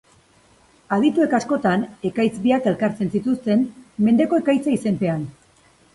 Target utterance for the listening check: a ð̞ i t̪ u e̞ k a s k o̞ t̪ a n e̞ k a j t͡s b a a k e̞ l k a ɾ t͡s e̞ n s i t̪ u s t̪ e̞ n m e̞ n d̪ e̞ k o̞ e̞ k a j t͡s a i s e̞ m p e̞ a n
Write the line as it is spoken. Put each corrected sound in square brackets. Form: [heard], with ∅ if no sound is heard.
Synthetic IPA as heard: a ð̞ i t̪ u e̞ k a s k o̞ t̪ a n e̞ k a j t͡s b [i] a k e̞ l k a ɾ t͡s e̞ n s i t̪ u s t̪ e̞ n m e̞ n d̪ e̞ k o̞ e̞ k a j t͡s a i s e̞ m p e̞ a n